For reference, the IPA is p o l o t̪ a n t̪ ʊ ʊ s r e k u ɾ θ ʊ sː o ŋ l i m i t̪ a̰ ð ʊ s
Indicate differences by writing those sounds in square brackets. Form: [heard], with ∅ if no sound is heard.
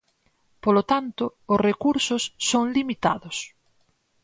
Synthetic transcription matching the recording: p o l o t̪ a n t̪ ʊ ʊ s r e k u ɾ [s] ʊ sː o ŋ l i m i t̪ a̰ ð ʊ s